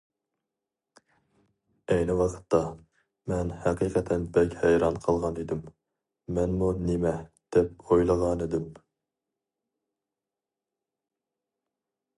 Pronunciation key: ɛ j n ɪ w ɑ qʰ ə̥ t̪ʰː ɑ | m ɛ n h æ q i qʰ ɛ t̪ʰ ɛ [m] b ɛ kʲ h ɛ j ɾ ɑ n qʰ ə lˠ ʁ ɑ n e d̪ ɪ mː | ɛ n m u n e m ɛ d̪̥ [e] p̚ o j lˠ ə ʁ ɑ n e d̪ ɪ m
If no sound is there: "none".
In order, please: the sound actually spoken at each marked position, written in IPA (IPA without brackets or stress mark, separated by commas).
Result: n, ɛ